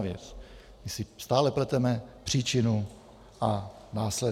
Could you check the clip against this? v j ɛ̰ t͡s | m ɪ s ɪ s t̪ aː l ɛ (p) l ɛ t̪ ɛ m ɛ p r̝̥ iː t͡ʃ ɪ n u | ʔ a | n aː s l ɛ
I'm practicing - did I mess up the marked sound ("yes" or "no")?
no